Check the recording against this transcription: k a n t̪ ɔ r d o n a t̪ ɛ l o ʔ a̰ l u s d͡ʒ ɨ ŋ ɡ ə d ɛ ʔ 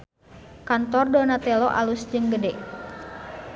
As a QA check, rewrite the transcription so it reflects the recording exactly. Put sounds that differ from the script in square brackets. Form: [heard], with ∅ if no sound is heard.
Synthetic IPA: k a n t̪ ɔ r d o n a t̪ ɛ l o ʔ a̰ l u s d͡ʒ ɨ ŋ ɡ ə d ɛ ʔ

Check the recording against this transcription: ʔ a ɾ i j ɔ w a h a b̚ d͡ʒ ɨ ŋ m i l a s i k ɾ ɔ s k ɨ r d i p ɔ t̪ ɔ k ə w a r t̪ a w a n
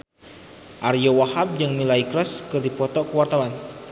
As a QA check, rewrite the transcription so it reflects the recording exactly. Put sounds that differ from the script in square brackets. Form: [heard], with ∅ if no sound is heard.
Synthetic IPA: ʔ a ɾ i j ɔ w a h a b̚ d͡ʒ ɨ ŋ m i l a [∅] i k ɾ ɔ s k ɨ r d i p ɔ t̪ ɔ k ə w a r t̪ a w a n

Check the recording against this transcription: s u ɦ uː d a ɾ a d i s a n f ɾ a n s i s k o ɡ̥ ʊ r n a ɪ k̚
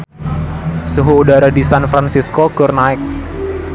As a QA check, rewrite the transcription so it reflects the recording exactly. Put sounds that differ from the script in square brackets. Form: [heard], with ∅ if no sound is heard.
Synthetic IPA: s u ɦ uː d a ɾ a d i s a n f ɾ a n s i s k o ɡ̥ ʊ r n a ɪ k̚

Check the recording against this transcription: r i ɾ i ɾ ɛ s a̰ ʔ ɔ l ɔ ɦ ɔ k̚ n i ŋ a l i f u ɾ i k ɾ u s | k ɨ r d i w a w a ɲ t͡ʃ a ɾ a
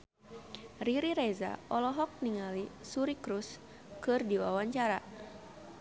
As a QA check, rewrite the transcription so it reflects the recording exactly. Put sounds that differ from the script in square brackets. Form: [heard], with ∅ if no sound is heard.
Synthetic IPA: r i ɾ i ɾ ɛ [z] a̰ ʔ ɔ l ɔ ɦ ɔ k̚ n i ŋ a l i [s] u ɾ i k ɾ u s | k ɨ r d i w a w a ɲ t͡ʃ a ɾ a

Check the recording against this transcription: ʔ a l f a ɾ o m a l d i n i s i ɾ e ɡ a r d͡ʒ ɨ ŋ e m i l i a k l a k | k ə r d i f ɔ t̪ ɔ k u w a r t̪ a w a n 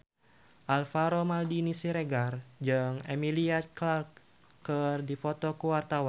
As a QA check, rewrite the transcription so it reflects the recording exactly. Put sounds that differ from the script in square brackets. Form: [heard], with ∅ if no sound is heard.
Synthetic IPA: ʔ a l f a ɾ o m a l d i n i s i ɾ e ɡ a r d͡ʒ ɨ ŋ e m i l i a k l a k | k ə r d i f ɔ t̪ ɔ k u w a r t̪ a w a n

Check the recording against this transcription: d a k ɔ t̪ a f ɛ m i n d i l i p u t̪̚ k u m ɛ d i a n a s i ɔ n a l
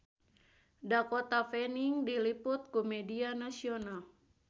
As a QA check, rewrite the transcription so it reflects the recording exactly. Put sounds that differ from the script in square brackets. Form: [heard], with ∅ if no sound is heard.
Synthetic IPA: d a k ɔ t̪ a f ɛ [n] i [ŋ] d i l i p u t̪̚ k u m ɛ d i a n a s i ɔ n a l

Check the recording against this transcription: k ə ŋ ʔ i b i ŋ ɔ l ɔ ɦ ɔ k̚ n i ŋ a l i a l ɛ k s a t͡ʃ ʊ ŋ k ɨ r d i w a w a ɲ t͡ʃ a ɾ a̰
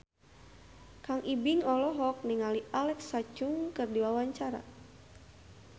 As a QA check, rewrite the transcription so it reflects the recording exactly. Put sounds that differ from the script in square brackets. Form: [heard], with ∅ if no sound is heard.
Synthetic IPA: k [a] ŋ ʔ i b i ŋ ɔ l ɔ ɦ ɔ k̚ n i ŋ a l i a l ɛ k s a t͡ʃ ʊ ŋ k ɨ r d i w a w a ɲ t͡ʃ a ɾ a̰

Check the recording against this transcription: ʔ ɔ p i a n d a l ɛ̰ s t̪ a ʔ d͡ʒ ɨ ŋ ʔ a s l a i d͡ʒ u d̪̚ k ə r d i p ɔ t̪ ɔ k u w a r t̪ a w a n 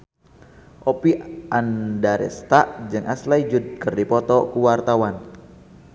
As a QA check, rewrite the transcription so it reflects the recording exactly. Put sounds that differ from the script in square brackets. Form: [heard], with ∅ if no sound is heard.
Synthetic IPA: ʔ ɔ p i a n d a [ɾ] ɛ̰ s t̪ a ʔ d͡ʒ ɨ ŋ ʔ a s l a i d͡ʒ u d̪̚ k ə r d i p ɔ t̪ ɔ k u w a r t̪ a w a n

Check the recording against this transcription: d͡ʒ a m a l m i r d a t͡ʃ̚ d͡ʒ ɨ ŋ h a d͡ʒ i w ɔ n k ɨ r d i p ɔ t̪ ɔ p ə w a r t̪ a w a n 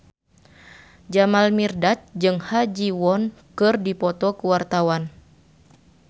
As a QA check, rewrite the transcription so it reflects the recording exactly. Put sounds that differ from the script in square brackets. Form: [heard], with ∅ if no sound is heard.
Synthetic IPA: d͡ʒ a m a l m i r d a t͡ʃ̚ d͡ʒ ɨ ŋ h a d͡ʒ i w ɔ n k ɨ r d i p ɔ t̪ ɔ [k] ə w a r t̪ a w a n

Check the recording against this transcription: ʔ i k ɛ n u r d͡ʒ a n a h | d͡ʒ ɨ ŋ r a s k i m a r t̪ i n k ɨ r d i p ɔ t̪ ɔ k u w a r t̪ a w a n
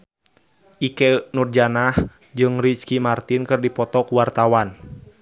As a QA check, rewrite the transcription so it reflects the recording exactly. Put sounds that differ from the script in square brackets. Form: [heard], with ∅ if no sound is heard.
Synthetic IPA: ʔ i k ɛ n u r d͡ʒ a n a h | d͡ʒ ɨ ŋ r [i] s k i m a r t̪ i n k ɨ r d i p ɔ t̪ ɔ k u w a r t̪ a w a n

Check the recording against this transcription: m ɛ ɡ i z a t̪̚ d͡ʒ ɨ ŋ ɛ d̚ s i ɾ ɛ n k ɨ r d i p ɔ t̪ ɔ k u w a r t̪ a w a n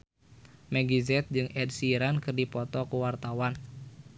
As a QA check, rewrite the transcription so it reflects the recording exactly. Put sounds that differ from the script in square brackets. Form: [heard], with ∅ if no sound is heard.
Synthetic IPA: m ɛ ɡ i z [ɛ] t̪̚ d͡ʒ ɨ ŋ ɛ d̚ s i ɾ [a] n k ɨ r d i p ɔ t̪ ɔ k u w a r t̪ a w a n

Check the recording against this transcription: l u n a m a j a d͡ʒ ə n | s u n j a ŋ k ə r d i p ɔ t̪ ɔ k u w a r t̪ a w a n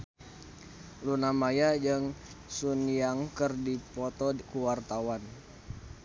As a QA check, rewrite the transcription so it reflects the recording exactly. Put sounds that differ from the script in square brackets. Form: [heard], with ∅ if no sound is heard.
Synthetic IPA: l u n a m a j a d͡ʒ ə [ŋ] | s u n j a ŋ k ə r d i p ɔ t̪ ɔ k u w a r t̪ a w a n

